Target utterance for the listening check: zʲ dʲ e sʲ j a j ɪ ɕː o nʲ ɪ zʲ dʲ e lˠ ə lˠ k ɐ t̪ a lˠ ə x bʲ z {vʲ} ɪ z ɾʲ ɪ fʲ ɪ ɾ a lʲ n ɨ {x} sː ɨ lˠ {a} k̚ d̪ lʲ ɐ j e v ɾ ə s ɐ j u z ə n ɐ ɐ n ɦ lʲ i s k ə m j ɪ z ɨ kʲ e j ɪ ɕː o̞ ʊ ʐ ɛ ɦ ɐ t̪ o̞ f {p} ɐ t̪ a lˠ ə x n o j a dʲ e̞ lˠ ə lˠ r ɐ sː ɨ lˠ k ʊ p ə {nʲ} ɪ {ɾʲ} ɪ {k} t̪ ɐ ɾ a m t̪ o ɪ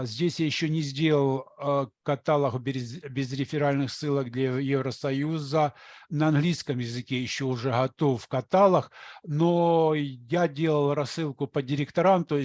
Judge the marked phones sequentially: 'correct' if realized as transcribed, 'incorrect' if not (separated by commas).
incorrect, correct, incorrect, incorrect, incorrect, correct, correct